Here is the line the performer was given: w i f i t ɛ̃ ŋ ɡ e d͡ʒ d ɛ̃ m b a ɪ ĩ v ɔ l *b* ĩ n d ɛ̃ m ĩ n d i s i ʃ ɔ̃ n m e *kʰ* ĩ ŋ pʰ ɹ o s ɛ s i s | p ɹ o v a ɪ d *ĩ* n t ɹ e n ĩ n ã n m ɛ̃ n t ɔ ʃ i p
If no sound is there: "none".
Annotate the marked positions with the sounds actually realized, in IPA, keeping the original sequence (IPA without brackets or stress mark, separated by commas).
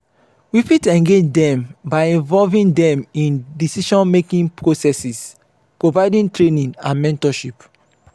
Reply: v, k, ĩ